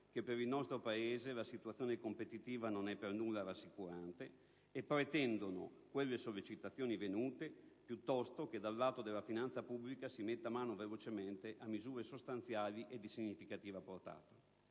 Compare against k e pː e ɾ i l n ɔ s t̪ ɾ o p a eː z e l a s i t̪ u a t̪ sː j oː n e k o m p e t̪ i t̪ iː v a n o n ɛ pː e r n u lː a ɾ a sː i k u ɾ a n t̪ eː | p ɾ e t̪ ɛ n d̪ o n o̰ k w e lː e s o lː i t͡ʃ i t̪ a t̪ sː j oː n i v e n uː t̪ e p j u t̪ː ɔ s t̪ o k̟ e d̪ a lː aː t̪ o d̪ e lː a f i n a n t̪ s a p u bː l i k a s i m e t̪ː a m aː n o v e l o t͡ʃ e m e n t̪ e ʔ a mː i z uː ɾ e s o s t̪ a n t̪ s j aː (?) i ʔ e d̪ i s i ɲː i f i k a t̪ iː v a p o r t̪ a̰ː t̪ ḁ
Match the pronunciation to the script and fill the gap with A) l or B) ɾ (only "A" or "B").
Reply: A